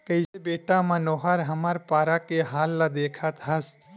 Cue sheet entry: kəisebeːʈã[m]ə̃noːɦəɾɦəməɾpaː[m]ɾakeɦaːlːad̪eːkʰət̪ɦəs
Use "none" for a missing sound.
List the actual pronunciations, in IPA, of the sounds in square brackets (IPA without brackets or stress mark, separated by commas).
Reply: m, none